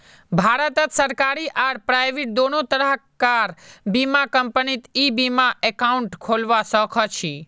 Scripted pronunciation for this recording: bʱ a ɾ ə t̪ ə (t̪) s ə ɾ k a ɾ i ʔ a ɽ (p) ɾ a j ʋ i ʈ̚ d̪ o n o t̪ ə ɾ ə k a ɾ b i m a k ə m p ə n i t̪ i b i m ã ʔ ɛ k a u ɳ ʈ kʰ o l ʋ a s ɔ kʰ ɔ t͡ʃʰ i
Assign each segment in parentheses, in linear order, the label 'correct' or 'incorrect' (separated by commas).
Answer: correct, correct